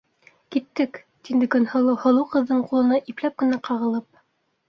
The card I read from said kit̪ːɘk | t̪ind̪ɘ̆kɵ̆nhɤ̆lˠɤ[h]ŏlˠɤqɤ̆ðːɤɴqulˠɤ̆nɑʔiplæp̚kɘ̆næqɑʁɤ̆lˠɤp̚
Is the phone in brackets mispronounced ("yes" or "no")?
no